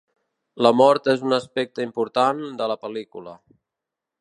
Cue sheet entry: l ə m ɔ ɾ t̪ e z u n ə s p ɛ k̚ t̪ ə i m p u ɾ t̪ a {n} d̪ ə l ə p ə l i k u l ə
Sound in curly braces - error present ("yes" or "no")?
no